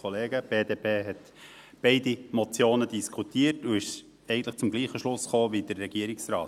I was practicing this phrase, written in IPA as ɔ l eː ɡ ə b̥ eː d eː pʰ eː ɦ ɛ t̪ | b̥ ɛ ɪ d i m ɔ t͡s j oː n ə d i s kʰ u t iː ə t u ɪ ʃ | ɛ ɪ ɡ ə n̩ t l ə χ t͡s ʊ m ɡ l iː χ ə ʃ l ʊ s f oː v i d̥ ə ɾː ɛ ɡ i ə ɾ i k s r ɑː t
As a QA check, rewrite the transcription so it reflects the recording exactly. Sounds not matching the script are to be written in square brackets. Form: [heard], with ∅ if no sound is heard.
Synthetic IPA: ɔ l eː ɡ ə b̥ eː d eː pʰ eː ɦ ɛ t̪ | b̥ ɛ ɪ d i m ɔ t͡s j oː n ə d i s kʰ u t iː ə t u ɪ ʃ | ɛ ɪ ɡ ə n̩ t l ə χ t͡s ʊ m ɡ l iː χ ə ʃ l ʊ s [χ] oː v i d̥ ə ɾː ɛ ɡ i ə ɾ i k s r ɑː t